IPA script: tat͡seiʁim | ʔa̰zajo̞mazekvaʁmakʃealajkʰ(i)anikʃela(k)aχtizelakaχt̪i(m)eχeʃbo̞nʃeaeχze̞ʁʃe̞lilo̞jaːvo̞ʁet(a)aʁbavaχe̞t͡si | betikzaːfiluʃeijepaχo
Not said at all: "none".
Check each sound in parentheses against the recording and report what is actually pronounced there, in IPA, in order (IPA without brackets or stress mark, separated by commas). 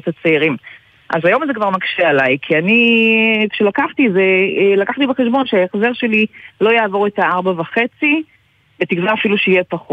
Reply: i, k, b, a